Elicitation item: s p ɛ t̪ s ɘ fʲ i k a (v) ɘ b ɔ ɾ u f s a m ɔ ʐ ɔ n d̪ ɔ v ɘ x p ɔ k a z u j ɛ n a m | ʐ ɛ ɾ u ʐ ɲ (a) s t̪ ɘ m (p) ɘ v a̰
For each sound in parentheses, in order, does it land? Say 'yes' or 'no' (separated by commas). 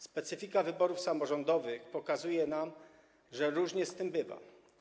yes, no, no